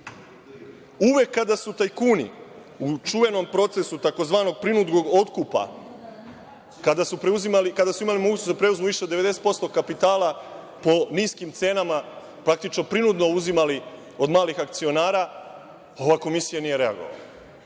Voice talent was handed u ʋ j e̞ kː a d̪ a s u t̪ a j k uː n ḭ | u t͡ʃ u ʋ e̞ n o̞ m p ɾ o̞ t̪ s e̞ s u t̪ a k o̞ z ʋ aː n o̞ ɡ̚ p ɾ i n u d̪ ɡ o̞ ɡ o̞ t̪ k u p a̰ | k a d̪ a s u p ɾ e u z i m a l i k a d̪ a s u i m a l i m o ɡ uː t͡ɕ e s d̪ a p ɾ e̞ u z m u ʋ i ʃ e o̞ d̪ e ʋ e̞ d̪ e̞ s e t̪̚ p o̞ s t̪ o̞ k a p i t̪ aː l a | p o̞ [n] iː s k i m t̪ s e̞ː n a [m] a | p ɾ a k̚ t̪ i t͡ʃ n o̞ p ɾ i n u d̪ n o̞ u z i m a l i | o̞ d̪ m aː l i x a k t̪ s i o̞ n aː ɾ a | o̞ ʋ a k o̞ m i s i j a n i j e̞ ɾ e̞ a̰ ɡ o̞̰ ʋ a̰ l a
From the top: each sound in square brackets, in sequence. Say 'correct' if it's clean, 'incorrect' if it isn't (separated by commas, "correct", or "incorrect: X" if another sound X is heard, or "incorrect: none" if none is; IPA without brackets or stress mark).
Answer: correct, correct